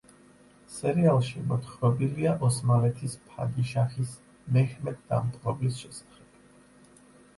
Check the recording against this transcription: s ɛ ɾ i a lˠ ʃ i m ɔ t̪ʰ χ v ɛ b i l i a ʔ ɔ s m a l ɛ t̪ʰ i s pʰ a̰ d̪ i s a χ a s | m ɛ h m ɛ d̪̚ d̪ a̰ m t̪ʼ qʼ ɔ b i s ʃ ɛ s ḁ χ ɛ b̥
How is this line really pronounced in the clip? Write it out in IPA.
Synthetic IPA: s ɛ ɾ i a lˠ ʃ i m ɔ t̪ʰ χ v ɛ b i l i a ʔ ɔ s m a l ɛ t̪ʰ i s pʰ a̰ d̪ i ʃ a χ i s | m ɛ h m ɛ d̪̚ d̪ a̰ m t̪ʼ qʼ ɔ b i s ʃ ɛ s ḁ χ ɛ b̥